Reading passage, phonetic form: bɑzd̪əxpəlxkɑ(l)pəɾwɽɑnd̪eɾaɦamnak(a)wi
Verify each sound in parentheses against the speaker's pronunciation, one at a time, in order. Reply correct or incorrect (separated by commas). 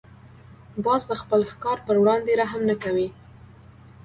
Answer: incorrect, correct